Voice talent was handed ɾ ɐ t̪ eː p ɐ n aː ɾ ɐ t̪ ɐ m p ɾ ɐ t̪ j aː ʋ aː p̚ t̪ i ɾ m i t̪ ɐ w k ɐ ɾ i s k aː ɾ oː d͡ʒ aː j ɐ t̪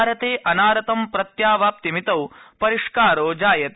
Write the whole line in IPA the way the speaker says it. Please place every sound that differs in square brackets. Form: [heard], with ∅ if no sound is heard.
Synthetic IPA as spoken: ɾ ɐ t̪ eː [ʔ] ɐ n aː ɾ ɐ t̪ ɐ m p ɾ ɐ t̪ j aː ʋ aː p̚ t̪ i [∅] m i t̪ ɐ w [p] ɐ ɾ i [ʂ] k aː ɾ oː d͡ʒ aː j ɐ t̪

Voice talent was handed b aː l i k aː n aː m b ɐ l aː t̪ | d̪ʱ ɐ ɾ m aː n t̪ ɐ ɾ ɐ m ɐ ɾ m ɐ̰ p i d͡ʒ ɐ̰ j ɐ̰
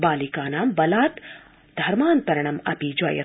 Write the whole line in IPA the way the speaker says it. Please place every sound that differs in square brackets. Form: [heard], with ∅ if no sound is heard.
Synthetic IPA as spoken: b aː l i k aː n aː m b ɐ l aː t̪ | d̪ʱ ɐ ɾ m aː n t̪ ɐ ɾ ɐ [ɳ] ɐ [∅] m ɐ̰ p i d͡ʒ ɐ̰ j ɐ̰

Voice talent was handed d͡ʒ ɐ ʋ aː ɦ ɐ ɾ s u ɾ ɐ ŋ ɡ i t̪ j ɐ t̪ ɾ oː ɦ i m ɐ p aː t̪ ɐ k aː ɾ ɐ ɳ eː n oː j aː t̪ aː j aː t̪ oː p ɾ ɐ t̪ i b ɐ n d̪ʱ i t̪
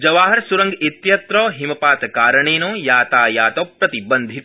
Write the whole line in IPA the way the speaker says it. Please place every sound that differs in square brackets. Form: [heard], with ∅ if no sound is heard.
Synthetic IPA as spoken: d͡ʒ ɐ ʋ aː ɦ ɐ ɾ s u ɾ ɐ ŋ ɡ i t̪ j ɐ t̪ ɾ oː ɦ i m ɐ p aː t̪ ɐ k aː ɾ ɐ ɳ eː n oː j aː t̪ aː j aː t̪ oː p ɾ ɐ t̪ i b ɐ n d̪ʱ i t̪

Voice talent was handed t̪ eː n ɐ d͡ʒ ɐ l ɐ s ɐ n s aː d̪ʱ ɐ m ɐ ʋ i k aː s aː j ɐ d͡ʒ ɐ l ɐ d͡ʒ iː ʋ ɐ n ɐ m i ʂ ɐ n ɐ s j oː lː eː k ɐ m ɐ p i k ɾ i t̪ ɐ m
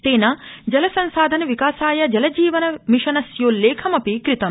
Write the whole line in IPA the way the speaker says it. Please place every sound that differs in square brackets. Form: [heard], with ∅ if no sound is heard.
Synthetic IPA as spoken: t̪ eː n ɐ d͡ʒ ɐ l ɐ s ɐ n s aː d̪ʱ ɐ [n] ɐ ʋ i k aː s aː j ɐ d͡ʒ ɐ l ɐ d͡ʒ iː ʋ ɐ n ɐ m i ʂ ɐ n ɐ s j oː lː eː [kʰ] ɐ m ɐ p i k ɾ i t̪ ɐ m

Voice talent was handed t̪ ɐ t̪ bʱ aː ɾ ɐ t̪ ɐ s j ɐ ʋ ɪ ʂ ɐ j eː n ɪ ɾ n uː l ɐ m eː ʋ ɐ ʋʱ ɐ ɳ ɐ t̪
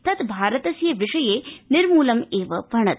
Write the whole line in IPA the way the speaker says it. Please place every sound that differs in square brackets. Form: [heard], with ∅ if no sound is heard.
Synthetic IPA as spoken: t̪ ɐ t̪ bʱ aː ɾ ɐ t̪ ɐ s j ɐ ʋ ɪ ʂ ɐ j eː n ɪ ɾ [m] uː l ɐ m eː ʋ ɐ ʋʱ ɐ ɳ ɐ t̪

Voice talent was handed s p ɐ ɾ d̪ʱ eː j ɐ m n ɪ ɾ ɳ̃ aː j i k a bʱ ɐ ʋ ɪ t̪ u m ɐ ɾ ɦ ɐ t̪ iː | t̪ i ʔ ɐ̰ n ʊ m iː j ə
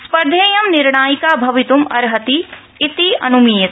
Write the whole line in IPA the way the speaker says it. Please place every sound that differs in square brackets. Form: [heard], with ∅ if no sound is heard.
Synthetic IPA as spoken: s p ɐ ɾ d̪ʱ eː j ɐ m n ɪ ɾ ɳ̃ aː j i k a bʱ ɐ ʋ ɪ t̪ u m ɐ ɾ ɦ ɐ t̪ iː | t̪ i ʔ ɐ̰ n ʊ m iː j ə

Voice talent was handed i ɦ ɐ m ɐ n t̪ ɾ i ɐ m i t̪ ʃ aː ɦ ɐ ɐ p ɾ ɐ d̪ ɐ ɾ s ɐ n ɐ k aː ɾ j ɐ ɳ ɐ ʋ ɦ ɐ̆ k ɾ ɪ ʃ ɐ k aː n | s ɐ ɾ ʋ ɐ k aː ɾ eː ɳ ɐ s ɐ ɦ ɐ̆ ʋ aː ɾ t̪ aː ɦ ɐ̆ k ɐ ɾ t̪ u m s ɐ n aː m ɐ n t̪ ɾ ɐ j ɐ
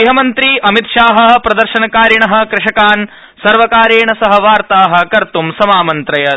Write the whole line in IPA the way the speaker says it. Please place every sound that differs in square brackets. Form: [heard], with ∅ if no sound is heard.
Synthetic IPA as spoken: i ɦ ɐ m ɐ n t̪ ɾ i ɐ m i t̪ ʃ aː ɦ ɐ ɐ p ɾ ɐ d̪ ɐ ɾ [ʃ] ɐ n ɐ k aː ɾ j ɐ ɳ ɐ [∅] ɦ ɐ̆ k ɾ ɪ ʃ ɐ k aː n | s ɐ ɾ ʋ ɐ k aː ɾ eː ɳ ɐ s ɐ ɦ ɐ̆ ʋ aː ɾ t̪ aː ɦ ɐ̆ k ɐ ɾ t̪ u m s ɐ [m] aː m ɐ n t̪ ɾ ɐ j ɐ

